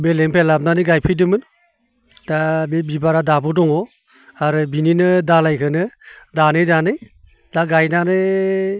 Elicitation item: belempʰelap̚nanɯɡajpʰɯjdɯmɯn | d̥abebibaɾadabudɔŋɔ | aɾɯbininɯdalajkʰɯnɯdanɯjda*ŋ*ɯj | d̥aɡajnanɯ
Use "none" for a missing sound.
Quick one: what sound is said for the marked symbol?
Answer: n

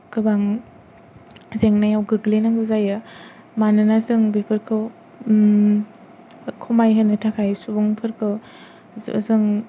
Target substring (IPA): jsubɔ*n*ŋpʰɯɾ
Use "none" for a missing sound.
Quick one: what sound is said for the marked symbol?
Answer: none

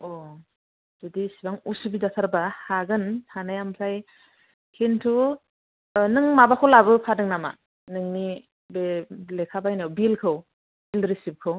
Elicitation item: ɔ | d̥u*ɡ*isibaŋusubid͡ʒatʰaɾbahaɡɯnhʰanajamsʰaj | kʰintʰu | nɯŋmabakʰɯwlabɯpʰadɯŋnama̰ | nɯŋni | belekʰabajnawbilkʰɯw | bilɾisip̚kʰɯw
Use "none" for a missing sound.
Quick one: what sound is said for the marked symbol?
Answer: d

